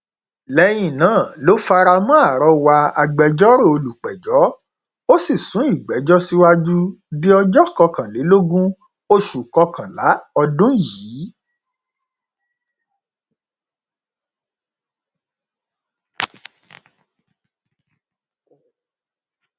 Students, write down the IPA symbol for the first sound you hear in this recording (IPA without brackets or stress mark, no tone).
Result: l